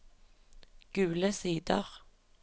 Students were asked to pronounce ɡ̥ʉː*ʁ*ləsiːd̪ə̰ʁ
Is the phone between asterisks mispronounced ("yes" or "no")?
yes